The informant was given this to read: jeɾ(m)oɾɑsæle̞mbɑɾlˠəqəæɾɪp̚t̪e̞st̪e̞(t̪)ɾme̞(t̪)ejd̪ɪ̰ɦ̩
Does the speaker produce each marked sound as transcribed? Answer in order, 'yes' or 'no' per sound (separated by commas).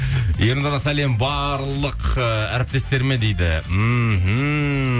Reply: no, no, no